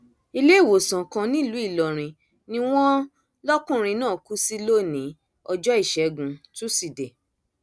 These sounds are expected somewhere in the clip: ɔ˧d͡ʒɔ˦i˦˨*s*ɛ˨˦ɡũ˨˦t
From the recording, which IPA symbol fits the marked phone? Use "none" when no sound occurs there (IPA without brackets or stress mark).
ʃ